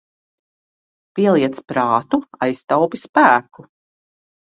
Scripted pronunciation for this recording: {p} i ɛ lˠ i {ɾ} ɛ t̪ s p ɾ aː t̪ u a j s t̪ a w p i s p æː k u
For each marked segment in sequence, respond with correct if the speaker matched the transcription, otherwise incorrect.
correct, incorrect: none

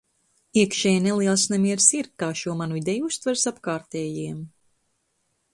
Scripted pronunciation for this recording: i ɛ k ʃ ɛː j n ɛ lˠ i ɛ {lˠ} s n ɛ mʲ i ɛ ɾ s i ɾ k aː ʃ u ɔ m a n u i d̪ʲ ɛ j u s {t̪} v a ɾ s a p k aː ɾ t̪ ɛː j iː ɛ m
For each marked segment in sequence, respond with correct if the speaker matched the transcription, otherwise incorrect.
correct, correct

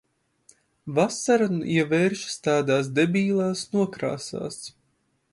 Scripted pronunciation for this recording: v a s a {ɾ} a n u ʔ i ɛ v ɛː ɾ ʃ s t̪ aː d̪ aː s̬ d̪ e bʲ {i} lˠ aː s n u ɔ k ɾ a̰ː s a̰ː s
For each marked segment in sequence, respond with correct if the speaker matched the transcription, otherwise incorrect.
correct, incorrect: iː

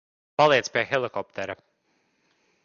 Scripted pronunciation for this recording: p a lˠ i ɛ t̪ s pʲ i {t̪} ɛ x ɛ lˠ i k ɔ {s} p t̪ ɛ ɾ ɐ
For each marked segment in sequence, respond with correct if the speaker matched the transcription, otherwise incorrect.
incorrect: none, incorrect: none

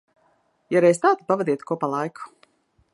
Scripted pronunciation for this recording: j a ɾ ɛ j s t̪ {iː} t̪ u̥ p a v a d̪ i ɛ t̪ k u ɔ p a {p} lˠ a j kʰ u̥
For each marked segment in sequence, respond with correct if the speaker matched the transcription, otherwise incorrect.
incorrect: aː, incorrect: none

